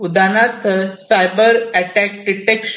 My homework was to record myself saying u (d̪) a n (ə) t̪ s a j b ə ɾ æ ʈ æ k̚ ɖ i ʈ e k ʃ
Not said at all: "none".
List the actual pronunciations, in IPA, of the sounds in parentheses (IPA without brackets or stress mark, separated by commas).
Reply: d̪, a